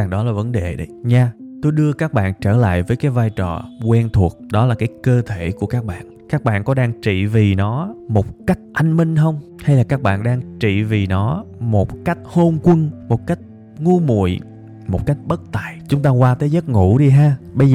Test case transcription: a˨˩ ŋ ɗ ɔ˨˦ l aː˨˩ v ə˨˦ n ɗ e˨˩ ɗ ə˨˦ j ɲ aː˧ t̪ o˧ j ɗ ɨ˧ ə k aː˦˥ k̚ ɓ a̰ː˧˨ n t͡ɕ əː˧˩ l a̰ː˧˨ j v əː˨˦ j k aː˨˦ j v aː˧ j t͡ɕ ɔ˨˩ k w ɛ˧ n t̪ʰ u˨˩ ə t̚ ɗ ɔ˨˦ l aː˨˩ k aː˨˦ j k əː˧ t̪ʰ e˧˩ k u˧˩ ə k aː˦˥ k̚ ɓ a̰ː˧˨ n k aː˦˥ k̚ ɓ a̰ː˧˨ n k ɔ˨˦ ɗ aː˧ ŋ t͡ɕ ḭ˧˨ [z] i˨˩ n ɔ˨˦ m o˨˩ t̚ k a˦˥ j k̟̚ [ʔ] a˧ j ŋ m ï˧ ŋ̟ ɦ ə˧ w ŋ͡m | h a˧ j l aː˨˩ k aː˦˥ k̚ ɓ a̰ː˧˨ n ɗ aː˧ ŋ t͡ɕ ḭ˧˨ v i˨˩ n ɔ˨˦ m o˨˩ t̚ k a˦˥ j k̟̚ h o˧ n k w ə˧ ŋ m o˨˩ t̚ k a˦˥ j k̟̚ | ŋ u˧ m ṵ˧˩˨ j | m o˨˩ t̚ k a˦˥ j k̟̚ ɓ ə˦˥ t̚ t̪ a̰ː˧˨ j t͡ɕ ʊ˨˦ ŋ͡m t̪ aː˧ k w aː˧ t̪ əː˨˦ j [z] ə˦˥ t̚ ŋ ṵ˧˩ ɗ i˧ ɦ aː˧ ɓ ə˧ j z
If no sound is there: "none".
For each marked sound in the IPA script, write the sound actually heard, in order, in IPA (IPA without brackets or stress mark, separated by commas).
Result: v, ʔ, z